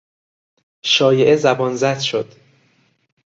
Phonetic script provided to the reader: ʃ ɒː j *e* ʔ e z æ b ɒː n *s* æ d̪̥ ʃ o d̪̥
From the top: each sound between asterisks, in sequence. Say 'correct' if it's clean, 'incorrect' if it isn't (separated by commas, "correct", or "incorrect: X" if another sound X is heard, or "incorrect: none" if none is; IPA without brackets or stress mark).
correct, incorrect: z